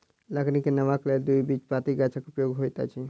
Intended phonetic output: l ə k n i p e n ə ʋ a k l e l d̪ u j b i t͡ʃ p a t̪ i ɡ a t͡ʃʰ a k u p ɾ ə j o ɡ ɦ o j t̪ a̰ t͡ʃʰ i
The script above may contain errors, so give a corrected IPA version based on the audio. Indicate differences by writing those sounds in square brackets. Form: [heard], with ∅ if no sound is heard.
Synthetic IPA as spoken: l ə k n i [k] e n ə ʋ a k l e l d̪ u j b i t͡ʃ p a t̪ i ɡ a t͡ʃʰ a k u p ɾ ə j o ɡ ɦ o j t̪ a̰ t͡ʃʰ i